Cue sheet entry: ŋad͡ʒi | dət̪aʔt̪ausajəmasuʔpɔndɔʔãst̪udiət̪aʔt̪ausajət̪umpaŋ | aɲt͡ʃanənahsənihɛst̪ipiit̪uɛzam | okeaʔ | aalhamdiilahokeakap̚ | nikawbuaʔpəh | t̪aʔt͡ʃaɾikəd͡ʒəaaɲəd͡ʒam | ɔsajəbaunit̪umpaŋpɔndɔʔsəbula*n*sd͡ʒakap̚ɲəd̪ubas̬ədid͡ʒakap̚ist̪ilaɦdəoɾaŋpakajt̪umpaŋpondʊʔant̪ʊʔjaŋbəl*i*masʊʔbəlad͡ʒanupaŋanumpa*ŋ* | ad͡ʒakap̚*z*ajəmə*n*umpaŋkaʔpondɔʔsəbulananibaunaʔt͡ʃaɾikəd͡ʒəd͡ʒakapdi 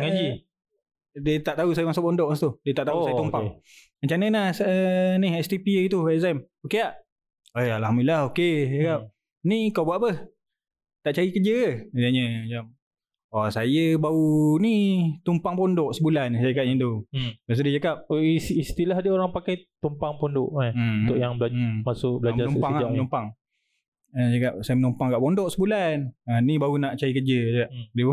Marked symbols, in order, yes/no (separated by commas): yes, no, yes, no, yes